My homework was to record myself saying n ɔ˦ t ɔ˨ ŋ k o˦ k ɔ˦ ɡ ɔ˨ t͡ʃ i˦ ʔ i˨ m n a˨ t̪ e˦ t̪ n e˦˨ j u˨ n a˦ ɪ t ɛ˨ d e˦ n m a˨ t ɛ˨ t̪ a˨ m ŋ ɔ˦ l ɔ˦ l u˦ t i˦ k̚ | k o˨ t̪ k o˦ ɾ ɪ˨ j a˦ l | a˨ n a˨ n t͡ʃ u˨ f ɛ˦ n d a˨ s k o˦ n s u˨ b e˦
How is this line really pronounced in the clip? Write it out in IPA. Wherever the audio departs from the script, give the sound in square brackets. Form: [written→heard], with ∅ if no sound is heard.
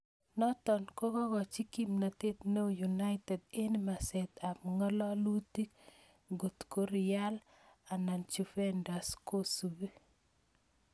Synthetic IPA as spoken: n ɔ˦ t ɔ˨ [ŋ→n] k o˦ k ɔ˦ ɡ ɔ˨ t͡ʃ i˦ [ʔ→k] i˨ m n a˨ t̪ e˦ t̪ n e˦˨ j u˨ n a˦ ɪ t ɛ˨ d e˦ n m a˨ [t→s] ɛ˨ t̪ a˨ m ŋ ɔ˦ l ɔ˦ l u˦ t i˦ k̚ | [k→ɡ] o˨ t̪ k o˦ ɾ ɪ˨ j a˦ l | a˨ n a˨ n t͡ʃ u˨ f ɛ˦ n d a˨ s k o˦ [n→∅] s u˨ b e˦